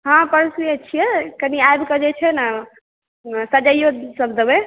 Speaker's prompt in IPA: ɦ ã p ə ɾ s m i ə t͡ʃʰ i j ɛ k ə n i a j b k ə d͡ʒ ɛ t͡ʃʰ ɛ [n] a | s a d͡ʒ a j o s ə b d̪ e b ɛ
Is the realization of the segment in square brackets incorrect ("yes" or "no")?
no